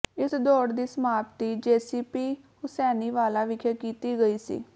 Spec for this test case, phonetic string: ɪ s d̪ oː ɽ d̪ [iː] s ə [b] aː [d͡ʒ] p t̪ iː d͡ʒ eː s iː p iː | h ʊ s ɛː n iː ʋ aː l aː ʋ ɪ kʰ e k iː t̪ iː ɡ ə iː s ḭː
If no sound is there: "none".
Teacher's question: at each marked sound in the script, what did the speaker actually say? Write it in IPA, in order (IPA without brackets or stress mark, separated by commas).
iː, m, none